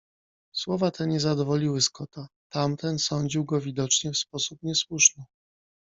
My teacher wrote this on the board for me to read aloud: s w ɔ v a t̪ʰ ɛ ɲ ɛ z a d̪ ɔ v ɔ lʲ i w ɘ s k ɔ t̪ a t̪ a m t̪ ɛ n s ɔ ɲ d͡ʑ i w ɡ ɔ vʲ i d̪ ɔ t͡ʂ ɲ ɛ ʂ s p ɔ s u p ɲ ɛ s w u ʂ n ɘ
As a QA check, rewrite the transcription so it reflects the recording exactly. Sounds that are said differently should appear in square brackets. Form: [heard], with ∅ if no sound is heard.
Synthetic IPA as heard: s w ɔ v a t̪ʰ ɛ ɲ ɛ z a d̪ ɔ v ɔ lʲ i w ɘ s k ɔ t̪ a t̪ a m t̪ ɛ n s ɔ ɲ d͡ʑ i w ɡ ɔ vʲ i d̪ ɔ t͡ʂ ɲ ɛ [f] s p ɔ s u p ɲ ɛ s w u ʂ n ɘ